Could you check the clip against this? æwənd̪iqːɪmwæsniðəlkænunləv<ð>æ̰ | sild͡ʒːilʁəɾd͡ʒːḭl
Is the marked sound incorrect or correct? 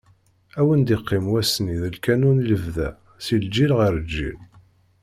correct